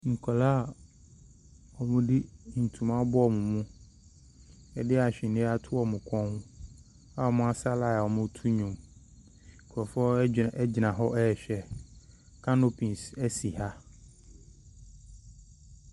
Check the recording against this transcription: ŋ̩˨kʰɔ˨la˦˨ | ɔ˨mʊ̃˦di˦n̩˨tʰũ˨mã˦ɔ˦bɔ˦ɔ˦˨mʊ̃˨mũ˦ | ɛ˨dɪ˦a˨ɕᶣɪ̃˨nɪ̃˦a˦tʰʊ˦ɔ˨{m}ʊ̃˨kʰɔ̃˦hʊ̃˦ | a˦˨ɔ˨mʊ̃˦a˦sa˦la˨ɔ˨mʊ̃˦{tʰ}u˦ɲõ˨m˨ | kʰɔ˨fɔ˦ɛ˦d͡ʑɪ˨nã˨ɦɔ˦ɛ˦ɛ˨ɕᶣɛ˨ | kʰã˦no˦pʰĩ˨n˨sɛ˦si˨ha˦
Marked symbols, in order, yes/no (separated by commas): yes, yes